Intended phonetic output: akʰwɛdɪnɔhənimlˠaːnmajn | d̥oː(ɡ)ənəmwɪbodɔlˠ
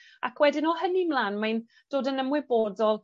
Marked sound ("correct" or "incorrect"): incorrect